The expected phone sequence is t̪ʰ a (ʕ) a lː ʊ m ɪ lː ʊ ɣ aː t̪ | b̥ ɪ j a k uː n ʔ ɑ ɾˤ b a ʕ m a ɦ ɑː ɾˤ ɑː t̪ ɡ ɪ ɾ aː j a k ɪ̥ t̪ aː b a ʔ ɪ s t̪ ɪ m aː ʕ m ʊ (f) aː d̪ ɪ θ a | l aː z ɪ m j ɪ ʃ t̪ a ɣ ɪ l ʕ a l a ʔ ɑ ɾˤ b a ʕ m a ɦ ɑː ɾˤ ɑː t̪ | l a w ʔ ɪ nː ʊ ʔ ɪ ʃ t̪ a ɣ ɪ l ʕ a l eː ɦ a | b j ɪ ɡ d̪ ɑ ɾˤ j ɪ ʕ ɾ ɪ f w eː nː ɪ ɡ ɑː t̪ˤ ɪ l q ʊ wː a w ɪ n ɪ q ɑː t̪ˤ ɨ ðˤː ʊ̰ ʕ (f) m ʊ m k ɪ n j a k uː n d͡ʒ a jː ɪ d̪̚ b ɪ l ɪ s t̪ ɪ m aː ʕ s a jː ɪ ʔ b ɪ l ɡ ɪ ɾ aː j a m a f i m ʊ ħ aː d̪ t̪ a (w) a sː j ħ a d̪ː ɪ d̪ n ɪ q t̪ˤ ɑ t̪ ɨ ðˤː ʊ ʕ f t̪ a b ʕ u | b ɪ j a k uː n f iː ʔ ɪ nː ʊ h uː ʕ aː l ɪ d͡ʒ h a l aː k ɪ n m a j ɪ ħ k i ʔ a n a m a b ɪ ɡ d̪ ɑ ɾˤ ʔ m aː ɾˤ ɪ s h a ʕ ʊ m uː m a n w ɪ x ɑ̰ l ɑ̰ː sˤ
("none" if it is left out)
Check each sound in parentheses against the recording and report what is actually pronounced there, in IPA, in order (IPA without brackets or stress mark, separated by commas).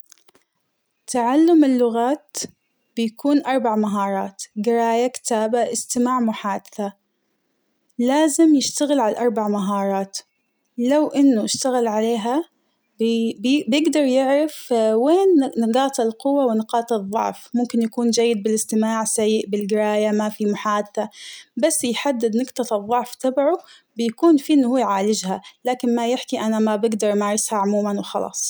ʕ, ħ, f, b